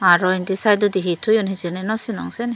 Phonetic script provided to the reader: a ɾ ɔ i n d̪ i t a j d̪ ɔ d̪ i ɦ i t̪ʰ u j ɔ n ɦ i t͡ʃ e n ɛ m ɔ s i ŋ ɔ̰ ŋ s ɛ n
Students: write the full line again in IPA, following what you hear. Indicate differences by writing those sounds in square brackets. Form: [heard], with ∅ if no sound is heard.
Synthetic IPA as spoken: a ɾ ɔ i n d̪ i [s] a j d̪ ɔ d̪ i ɦ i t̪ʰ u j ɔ n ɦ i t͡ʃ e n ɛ [n] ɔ s i [n] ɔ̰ ŋ s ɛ n

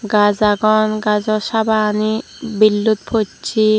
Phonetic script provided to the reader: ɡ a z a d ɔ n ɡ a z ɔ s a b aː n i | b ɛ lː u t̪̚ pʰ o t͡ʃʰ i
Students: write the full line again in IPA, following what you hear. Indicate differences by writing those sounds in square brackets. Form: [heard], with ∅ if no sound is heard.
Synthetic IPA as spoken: ɡ a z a [ɡ] ɔ n ɡ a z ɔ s a b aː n i | b [i] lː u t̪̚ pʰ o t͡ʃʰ i

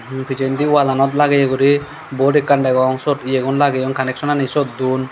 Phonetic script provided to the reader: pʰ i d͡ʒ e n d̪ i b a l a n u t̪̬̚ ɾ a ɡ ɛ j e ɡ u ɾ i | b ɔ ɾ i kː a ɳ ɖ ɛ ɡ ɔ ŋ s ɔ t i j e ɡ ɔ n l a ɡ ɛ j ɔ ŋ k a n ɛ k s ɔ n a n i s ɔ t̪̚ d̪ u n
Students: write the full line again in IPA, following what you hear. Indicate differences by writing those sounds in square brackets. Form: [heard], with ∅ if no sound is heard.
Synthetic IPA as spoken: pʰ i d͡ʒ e n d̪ i [w] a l a n [ɔ] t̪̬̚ [l] a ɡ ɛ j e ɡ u ɾ i | b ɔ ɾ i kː a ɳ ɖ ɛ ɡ ɔ ŋ s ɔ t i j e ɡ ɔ n l a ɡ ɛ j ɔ ŋ k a n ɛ k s ɔ n a n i s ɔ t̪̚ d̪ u n

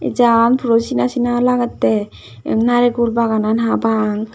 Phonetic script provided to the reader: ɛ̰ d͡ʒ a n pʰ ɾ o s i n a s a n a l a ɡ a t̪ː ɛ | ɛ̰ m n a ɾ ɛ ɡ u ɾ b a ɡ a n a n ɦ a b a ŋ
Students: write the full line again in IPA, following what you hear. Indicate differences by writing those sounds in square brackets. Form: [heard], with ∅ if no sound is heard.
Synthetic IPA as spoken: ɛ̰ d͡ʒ a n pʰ ɾ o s i n a s [i] n a l a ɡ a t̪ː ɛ | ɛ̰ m n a ɾ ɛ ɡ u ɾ b a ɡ a n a n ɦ a b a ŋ

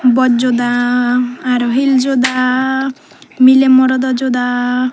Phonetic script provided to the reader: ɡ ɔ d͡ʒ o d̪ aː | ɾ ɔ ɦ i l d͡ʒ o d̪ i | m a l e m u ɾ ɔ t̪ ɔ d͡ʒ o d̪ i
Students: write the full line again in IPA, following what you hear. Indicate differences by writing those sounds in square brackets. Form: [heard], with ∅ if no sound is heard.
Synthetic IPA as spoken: [b] ɔ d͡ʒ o d̪ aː | ɾ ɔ ɦ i l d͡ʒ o d̪ [a] | m [i] l e m [ɔ] ɾ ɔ [d̪] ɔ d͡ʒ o d̪ [a]

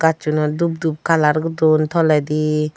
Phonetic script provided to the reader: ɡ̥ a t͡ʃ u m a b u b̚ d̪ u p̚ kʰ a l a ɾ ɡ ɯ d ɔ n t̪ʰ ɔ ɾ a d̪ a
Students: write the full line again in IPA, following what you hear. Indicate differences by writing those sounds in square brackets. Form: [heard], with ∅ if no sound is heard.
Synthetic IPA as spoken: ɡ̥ a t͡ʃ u [n] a [d] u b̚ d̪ u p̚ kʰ a l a ɾ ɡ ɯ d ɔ n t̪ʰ ɔ [l] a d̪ [i]

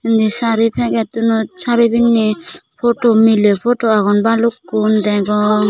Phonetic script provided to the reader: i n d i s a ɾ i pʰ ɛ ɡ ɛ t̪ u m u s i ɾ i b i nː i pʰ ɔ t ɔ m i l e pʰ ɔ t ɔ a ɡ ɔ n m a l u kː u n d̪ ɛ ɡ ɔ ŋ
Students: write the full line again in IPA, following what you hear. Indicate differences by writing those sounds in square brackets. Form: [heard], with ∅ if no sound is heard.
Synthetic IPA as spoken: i n d i s a ɾ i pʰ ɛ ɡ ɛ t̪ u [n] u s [a] ɾ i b i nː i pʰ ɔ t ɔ m i l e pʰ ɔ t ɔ a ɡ ɔ n [b] a l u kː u n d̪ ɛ ɡ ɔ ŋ

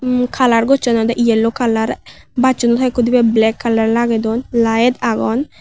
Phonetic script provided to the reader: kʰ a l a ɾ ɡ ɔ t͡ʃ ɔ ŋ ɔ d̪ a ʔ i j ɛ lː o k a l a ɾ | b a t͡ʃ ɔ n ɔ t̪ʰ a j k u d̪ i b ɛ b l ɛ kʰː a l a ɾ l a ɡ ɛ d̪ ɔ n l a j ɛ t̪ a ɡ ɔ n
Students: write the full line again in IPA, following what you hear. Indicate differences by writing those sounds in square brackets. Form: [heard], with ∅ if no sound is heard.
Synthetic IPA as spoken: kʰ a l a ɾ ɡ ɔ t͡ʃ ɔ [n] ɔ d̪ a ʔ i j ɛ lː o k a l a ɾ | b a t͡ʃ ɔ n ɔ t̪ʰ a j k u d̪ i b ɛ b l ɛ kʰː a l a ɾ l a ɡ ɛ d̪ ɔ n l a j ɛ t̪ a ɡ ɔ n

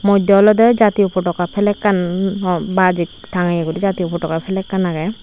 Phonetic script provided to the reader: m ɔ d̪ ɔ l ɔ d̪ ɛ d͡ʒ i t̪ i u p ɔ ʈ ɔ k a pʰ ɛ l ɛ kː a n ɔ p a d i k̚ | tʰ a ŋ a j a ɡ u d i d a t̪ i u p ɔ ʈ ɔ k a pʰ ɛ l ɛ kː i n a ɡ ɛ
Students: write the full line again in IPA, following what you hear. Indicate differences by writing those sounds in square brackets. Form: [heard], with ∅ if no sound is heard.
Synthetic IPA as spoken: m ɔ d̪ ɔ l ɔ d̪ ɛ d͡ʒ [a] t̪ i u p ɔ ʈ ɔ k a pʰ ɛ l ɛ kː a n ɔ [b] a [d͡ʒ] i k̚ | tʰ a ŋ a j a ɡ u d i [d͡ʒ] a t̪ i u p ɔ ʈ ɔ k a pʰ ɛ l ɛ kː [a] n a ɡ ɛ

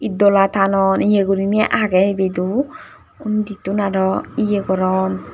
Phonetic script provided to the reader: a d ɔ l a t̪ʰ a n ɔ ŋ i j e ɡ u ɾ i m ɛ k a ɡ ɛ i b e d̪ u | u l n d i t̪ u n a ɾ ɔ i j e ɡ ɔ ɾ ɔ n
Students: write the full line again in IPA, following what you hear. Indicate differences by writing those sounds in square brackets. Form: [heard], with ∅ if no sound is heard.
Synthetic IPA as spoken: [i] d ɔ l a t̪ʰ a n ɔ [n] i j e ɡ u ɾ i m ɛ [ʔ] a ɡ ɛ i b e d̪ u | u [∅] n d i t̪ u n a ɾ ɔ i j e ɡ ɔ ɾ ɔ n

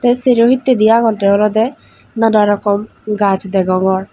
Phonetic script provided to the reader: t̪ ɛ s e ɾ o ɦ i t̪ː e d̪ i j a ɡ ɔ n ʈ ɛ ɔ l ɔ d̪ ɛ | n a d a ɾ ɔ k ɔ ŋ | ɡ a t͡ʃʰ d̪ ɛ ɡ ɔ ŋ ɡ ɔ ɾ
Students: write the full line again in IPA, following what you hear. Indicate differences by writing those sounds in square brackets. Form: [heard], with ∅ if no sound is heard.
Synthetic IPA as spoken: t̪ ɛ s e ɾ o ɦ i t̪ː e d̪ i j a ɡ ɔ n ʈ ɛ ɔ l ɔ d̪ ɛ | n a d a ɾ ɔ k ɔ [m] | ɡ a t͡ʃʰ d̪ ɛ ɡ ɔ ŋ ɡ ɔ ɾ

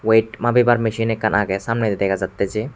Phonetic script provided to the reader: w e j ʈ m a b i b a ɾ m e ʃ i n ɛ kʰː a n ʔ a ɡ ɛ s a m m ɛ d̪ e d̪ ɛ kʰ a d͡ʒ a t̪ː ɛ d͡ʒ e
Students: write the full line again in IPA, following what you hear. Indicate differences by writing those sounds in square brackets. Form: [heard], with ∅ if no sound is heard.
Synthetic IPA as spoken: w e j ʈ m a b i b a ɾ m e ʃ i n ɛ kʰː a n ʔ a ɡ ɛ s a m [n] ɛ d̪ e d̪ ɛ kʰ a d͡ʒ a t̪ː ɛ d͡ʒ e

